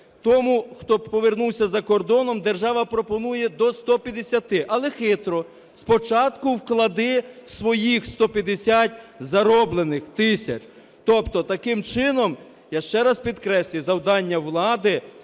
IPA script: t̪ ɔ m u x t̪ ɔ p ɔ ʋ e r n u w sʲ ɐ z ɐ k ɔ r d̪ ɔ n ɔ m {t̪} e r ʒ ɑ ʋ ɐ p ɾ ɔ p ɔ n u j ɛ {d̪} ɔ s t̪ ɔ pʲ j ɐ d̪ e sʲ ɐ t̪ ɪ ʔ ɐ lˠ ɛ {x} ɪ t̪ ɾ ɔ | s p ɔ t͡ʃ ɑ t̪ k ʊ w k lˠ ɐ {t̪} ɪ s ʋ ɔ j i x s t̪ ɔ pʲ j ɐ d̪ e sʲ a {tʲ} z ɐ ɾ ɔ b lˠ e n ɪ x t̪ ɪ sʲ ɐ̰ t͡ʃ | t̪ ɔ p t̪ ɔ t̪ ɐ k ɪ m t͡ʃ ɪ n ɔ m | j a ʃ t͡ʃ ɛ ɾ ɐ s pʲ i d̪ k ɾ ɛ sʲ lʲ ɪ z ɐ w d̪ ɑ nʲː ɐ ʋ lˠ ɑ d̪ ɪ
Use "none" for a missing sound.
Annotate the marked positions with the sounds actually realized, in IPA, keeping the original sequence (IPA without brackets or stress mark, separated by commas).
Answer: d̪, d̪, x, d̪, tʲ